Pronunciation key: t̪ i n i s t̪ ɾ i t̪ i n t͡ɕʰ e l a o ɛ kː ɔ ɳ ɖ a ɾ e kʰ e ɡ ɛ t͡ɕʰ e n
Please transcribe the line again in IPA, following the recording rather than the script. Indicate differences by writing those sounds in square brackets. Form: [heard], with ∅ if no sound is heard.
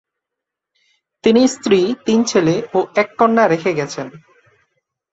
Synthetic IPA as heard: t̪ i n i s t̪ ɾ i t̪ i n t͡ɕʰ e l [e] o ɛ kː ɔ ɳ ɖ a ɾ e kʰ e ɡ ɛ t͡ɕʰ e n